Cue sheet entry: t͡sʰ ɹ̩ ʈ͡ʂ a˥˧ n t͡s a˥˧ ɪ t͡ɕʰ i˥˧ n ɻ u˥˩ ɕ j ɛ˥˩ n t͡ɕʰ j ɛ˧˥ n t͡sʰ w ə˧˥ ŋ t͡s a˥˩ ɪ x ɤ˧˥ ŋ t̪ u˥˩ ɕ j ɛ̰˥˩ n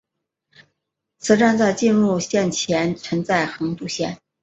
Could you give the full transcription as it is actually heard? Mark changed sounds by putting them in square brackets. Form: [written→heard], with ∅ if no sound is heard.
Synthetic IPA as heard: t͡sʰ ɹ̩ ʈ͡ʂ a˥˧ n t͡s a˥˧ ɪ [t͡ɕʰ→t͡ɕ] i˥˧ n ɻ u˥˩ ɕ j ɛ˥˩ n t͡ɕʰ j ɛ˧˥ n t͡sʰ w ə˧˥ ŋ t͡s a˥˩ ɪ x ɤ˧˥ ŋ t̪ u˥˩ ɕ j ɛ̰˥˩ n